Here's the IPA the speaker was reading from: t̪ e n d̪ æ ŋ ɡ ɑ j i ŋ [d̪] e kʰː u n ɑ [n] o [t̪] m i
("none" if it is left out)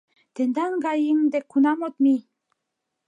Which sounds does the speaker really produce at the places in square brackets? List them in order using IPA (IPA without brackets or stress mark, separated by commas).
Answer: d̪, m, t̪